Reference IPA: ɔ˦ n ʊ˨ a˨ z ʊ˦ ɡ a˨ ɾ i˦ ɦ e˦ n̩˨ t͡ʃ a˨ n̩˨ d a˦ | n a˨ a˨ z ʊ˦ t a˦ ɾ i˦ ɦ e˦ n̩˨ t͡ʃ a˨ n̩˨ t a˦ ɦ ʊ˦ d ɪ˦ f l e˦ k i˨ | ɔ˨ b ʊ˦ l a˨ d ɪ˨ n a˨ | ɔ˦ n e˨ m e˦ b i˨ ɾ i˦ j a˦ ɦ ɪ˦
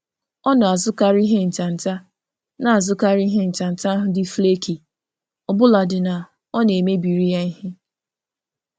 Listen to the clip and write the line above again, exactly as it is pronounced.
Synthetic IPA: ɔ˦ n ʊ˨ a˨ z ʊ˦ k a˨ ɾ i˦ ɦ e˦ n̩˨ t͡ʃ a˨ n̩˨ t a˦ | n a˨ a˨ z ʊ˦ k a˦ ɾ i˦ ɦ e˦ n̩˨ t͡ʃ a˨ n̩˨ t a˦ ɦ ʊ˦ d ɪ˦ f l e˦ k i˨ | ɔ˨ b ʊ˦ l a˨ d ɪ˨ n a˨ | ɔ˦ n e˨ m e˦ b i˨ ɾ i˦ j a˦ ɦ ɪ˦